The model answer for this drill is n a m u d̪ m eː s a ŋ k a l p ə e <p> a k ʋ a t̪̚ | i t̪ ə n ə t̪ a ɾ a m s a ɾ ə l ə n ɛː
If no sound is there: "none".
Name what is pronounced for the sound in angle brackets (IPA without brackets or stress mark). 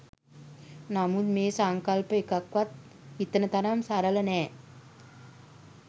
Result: k